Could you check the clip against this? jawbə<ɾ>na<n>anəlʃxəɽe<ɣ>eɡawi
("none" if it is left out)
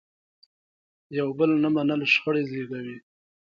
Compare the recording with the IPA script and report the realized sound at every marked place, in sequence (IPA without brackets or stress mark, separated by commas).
l, m, z